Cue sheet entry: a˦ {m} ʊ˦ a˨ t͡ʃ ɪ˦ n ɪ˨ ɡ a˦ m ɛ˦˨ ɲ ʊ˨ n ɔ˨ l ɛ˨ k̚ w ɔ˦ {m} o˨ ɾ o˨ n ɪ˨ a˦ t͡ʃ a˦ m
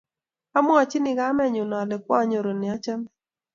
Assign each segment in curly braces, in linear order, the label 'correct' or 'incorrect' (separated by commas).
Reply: correct, incorrect